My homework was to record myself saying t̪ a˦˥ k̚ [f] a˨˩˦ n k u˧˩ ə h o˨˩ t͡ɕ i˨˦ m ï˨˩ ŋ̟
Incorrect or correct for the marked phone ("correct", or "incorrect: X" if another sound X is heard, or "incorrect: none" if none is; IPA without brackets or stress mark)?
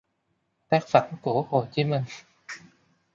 correct